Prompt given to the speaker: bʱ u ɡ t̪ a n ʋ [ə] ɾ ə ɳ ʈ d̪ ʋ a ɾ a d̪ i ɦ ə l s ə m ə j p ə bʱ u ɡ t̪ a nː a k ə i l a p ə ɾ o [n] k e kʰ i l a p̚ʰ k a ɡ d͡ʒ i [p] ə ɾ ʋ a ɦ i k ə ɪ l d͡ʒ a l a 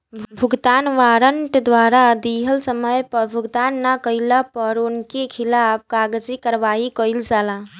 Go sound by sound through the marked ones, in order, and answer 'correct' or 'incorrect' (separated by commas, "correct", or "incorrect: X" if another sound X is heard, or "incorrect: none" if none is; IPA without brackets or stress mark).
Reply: incorrect: a, correct, incorrect: k